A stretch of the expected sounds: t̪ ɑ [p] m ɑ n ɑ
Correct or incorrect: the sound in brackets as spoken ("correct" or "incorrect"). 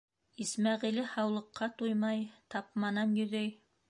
correct